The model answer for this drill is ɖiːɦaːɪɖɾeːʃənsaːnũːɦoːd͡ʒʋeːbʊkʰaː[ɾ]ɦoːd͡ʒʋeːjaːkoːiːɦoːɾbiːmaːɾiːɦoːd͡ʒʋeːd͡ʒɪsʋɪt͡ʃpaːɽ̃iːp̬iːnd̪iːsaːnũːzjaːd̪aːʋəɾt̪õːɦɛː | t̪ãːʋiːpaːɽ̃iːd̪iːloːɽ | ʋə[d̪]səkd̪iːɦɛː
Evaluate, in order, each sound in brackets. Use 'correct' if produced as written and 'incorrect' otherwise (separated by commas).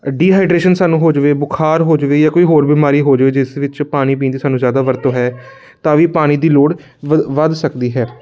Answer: correct, correct